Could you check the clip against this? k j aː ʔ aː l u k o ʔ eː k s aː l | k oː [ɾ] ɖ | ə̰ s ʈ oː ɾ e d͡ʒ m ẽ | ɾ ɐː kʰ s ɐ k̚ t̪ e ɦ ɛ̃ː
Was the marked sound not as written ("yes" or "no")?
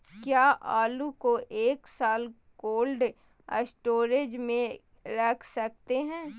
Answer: yes